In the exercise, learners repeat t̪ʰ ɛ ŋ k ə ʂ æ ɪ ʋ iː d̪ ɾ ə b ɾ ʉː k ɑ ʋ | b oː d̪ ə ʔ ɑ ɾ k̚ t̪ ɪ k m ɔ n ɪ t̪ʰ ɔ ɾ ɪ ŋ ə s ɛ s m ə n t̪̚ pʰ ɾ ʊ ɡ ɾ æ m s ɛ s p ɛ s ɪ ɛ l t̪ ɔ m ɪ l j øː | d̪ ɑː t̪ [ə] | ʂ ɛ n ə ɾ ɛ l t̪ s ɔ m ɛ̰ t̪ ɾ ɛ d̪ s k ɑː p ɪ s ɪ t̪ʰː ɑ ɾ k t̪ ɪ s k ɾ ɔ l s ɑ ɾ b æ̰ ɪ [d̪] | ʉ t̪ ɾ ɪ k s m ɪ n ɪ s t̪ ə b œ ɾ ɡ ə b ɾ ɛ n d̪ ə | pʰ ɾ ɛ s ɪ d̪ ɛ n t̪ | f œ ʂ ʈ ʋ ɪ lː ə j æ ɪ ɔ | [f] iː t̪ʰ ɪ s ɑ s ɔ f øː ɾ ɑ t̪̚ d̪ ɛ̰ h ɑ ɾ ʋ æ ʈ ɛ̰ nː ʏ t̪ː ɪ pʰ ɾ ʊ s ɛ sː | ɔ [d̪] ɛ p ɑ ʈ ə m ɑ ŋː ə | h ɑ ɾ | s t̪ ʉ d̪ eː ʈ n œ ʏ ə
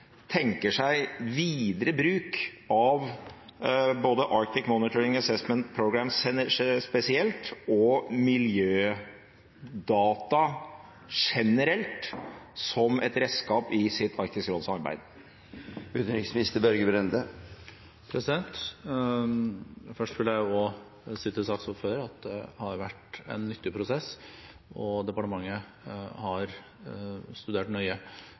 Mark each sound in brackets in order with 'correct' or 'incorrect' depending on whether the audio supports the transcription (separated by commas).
incorrect, correct, incorrect, correct